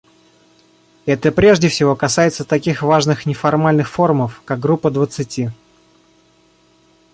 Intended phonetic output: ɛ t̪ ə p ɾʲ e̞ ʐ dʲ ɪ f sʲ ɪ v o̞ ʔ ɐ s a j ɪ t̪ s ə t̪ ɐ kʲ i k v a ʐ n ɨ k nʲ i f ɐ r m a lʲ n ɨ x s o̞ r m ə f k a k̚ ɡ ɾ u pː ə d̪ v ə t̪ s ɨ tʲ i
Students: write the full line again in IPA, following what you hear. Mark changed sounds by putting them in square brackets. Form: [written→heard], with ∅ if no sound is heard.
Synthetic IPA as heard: ɛ t̪ ə p ɾʲ e̞ ʐ dʲ ɪ f sʲ ɪ v o̞ [ʔ→k] ɐ s a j ɪ t̪ s ə t̪ ɐ kʲ i [k→x] v a ʐ n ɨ [k→x] nʲ [i→ɪ] f ɐ r m a lʲ n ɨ x [s→f] o̞ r m ə f k a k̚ ɡ ɾ u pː ə d̪ v ə t̪ s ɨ tʲ i